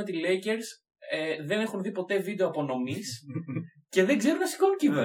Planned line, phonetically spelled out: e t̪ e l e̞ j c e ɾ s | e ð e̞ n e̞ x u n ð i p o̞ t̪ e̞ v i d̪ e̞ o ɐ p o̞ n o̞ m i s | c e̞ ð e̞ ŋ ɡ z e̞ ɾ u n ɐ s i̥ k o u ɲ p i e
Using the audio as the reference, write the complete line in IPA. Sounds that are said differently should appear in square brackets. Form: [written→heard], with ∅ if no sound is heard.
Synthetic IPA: e t̪ [e→i] l e̞ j c e ɾ s | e ð e̞ n e̞ x u n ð i p o̞ t̪ e̞ v i d̪ e̞ o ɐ p o̞ n o̞ m i s | c e̞ ð e̞ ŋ ɡ z e̞ ɾ u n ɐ s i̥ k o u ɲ [p→c] i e